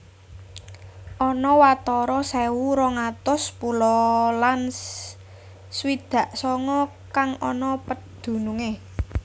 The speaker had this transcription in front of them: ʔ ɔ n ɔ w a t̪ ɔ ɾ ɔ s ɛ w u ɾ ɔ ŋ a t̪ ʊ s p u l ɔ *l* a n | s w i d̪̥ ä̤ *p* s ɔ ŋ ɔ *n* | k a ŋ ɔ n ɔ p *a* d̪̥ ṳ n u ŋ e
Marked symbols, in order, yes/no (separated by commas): yes, no, no, no